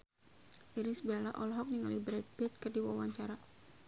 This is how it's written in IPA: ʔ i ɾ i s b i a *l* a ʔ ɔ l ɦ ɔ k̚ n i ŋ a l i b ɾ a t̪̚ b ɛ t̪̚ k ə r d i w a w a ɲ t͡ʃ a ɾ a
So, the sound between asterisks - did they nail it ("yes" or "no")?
yes